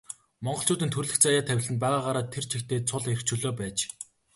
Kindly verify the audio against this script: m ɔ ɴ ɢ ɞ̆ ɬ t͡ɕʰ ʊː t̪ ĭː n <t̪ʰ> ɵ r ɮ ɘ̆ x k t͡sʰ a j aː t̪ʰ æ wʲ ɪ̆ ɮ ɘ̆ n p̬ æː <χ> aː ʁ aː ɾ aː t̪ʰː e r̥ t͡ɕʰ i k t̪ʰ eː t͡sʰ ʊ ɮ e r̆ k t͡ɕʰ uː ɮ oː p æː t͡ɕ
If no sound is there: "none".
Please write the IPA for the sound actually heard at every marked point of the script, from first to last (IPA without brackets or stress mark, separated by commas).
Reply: t̪ʰ, ʁ